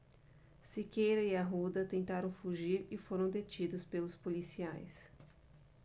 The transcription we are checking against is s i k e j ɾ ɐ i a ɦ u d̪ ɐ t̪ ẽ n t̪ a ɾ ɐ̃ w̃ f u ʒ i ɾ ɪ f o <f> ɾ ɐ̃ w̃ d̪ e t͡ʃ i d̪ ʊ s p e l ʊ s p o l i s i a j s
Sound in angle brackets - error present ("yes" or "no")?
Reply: yes